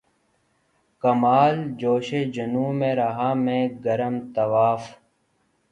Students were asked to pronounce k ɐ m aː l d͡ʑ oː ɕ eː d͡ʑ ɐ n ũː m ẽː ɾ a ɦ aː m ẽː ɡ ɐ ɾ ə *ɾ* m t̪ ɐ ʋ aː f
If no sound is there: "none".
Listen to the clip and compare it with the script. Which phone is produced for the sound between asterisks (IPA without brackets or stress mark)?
none